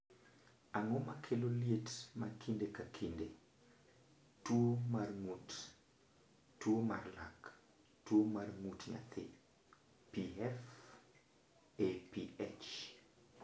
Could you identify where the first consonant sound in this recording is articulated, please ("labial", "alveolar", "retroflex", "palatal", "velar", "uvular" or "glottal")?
velar